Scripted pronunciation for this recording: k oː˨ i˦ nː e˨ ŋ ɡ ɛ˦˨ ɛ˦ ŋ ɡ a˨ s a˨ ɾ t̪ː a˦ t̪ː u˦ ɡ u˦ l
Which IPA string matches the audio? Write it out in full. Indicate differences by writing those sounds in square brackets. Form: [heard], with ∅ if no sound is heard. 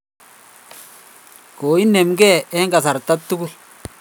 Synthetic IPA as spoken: k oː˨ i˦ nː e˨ [m] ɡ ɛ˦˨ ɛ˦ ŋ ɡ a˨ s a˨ ɾ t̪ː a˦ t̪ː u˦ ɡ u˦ l